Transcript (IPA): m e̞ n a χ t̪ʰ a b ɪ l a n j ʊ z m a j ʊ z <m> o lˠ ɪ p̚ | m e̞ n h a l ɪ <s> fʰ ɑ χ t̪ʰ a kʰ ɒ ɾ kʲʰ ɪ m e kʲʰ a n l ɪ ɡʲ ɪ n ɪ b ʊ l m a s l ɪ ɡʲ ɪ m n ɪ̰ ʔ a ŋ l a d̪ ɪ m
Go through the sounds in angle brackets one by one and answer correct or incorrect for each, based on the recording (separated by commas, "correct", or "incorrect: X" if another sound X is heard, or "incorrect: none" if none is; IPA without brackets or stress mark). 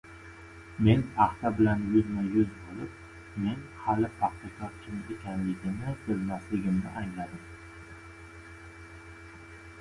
incorrect: b, incorrect: none